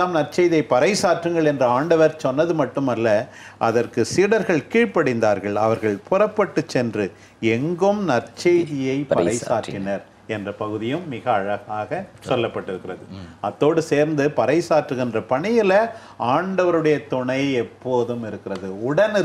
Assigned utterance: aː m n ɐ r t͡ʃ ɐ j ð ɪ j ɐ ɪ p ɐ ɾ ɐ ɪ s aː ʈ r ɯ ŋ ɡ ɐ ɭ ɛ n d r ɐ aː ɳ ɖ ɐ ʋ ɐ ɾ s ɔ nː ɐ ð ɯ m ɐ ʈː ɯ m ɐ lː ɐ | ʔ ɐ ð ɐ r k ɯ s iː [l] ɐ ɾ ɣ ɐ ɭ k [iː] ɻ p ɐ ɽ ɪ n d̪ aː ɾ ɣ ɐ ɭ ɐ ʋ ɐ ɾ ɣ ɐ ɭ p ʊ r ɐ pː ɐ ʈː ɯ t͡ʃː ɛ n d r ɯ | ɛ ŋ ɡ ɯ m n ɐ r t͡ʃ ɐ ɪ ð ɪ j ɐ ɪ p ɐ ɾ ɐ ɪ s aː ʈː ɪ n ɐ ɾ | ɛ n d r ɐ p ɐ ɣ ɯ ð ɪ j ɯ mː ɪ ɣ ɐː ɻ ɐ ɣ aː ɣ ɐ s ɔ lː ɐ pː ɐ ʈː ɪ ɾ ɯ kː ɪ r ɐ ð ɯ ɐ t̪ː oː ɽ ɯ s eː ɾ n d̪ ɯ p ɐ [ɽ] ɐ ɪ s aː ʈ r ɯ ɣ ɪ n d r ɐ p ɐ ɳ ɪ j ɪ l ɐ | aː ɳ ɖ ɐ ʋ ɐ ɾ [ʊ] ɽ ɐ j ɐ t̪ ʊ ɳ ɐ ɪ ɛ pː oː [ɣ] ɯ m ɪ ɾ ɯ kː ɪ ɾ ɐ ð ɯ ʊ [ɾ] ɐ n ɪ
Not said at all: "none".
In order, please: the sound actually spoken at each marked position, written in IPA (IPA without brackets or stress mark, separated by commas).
ɽ, iː, ɾ, ɯ, ð, ɽ